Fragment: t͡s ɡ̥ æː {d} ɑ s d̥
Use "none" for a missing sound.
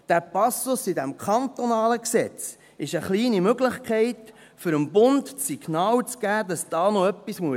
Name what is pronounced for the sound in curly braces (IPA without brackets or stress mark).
d